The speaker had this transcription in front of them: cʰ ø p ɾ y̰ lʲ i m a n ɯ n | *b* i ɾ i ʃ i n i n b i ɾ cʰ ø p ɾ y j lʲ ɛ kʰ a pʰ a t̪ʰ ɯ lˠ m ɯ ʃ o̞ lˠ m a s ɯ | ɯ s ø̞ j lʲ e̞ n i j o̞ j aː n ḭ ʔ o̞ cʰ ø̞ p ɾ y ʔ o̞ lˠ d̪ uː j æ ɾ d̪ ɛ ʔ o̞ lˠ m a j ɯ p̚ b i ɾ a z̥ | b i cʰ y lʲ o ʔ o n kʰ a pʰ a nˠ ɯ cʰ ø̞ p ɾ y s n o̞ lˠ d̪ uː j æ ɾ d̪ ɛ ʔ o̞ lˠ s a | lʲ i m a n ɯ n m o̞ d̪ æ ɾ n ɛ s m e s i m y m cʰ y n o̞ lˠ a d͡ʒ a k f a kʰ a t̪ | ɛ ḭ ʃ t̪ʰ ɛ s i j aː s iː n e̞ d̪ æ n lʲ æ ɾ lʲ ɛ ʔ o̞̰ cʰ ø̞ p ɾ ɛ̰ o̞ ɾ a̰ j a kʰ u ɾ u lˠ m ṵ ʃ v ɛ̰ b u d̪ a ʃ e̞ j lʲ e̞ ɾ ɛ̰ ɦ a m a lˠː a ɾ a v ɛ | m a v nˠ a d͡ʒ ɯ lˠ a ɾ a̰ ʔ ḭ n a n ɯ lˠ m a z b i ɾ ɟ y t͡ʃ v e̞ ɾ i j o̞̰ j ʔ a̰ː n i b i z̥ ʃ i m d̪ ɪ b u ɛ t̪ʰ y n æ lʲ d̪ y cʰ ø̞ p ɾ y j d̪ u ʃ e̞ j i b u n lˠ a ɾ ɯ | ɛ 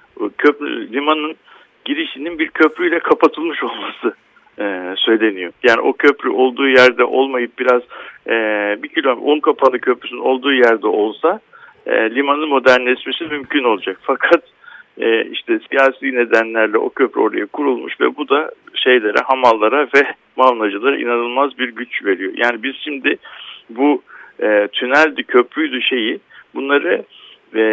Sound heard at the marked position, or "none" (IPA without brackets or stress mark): ɟ